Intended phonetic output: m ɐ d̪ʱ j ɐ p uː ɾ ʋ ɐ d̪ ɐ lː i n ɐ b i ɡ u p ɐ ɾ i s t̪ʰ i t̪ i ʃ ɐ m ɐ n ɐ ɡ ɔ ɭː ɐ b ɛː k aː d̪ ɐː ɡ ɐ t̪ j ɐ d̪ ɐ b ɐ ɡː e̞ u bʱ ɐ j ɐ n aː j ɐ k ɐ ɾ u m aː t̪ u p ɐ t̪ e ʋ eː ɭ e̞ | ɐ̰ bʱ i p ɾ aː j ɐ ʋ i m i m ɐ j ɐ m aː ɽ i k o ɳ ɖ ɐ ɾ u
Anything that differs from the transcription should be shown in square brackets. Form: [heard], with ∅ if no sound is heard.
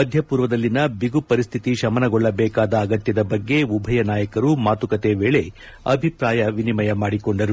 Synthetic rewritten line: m ɐ d̪ʱ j ɐ p uː ɾ ʋ ɐ d̪ ɐ lː i n ɐ b i ɡ u p ɐ ɾ i s t̪ʰ i t̪ i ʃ ɐ m ɐ n ɐ ɡ ɔ ɭː ɐ b ɛː k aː d̪ ɐː ɡ ɐ t̪ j ɐ d̪ ɐ b ɐ ɡː e̞ u bʱ ɐ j ɐ n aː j ɐ k ɐ ɾ u m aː t̪ u [k] ɐ t̪ e ʋ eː ɭ e̞ | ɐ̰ bʱ i p ɾ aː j ɐ ʋ i [n] i m ɐ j ɐ m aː ɽ i k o ɳ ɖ ɐ ɾ u